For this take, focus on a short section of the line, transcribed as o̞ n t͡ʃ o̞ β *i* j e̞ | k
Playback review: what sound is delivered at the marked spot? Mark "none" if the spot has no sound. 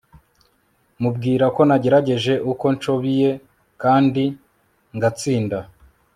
i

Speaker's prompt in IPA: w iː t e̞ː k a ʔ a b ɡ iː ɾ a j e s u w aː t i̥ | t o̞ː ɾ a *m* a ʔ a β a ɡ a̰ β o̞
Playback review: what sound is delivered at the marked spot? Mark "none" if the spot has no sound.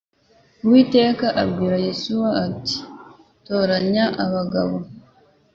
ɲ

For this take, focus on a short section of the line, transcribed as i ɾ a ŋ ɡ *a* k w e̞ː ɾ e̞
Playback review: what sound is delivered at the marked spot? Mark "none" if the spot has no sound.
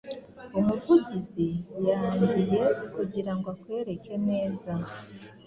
a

